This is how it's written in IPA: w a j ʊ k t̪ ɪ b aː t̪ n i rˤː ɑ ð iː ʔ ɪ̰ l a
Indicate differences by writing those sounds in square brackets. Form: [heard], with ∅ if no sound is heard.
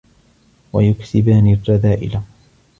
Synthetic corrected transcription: w a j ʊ k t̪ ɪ b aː [∅] n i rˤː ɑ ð [aː] ʔ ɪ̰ l a